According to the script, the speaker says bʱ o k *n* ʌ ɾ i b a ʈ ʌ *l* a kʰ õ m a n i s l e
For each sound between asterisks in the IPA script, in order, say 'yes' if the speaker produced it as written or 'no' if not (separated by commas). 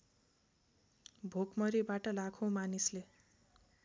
no, yes